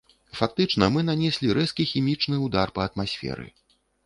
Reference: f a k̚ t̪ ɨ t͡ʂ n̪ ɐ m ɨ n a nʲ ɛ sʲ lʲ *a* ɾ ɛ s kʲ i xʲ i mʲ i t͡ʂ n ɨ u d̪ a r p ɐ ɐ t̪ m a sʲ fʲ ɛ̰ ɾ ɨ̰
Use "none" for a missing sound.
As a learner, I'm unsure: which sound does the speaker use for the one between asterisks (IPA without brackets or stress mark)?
i